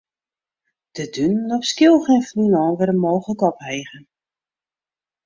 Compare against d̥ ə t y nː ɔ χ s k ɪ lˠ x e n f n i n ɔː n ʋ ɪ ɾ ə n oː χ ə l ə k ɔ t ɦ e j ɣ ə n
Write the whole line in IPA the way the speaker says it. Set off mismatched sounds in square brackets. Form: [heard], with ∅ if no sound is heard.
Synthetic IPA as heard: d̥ ə [d] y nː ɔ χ s k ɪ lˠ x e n f n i n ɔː n ʋ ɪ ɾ ə [m] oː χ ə l ə k ɔ [p] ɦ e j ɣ ə n